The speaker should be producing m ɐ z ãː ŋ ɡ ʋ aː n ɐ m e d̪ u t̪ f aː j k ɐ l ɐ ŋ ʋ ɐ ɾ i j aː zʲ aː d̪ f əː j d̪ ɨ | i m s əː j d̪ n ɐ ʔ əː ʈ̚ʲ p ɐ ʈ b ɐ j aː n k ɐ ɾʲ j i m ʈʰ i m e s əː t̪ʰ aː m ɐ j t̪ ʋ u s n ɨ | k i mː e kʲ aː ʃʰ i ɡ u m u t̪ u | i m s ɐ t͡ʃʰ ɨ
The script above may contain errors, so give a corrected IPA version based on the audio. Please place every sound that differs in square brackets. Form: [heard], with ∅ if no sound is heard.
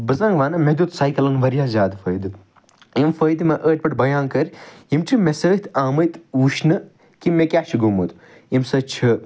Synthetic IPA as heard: [b] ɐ z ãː ŋ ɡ ʋ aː n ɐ m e d̪ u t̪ [s] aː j k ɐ l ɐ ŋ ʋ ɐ ɾ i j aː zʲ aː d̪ f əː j d̪ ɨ | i m [f] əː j d̪ [m] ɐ ʔ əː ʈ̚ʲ p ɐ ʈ b ɐ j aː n k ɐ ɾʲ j i m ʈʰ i m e s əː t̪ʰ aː m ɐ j t̪ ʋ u [ʃ] n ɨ | k i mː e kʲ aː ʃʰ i ɡ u m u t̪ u | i m s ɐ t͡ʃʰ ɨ